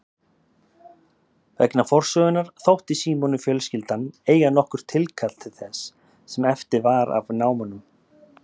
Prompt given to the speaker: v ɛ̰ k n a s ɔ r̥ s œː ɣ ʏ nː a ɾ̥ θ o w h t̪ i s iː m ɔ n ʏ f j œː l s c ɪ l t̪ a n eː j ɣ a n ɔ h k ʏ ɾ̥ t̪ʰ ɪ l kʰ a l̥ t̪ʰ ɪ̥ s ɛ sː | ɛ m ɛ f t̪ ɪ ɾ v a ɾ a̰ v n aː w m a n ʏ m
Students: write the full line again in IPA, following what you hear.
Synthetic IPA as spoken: v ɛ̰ k n a f ɔ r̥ s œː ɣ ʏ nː a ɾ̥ θ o w h t̪ i s iː m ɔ n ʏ f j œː l s c ɪ l t̪ a n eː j ɣ a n ɔ h k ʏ ɾ̥ t̪ʰ ɪ l kʰ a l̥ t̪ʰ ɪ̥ θ ɛ sː | ɛ m ɛ f t̪ ɪ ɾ v a ɾ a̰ v n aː w m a n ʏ m